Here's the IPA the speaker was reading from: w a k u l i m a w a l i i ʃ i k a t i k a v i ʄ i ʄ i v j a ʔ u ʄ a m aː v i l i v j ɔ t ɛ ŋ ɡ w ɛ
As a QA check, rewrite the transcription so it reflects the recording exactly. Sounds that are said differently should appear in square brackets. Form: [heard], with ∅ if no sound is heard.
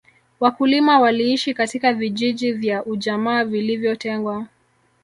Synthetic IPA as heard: w a k u l i m a w a l i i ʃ i k a t i k a v i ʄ i ʄ i v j a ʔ u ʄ a m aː v i l i v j ɔ t ɛ ŋ ɡ w [a]